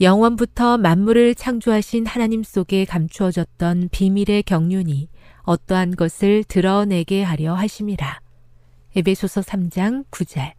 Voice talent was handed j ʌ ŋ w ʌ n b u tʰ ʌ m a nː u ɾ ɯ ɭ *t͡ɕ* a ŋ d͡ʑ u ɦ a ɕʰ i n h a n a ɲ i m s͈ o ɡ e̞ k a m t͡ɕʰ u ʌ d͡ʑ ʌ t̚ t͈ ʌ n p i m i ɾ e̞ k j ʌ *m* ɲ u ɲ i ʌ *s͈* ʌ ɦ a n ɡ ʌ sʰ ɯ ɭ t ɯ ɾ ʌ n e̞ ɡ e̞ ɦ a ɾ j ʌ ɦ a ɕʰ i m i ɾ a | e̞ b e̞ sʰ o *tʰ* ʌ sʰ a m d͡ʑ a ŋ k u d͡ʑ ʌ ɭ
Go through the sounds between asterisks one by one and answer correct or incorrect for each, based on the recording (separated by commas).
incorrect, incorrect, incorrect, incorrect